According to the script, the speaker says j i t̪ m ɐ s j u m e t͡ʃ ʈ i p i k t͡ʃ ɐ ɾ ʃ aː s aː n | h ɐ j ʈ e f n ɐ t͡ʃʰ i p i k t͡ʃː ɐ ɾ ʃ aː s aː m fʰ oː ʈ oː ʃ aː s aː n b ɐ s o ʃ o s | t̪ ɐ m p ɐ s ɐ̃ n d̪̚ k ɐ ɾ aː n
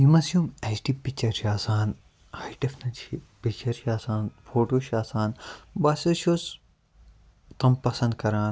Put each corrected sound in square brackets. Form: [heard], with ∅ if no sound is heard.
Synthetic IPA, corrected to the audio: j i [∅] m ɐ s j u m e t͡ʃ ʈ i p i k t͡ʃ ɐ ɾ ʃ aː s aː n | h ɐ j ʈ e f n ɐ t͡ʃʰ i p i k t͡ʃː ɐ ɾ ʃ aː s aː [n] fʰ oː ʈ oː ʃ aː s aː n b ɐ s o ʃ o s | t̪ ɐ m p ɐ s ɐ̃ n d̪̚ k ɐ ɾ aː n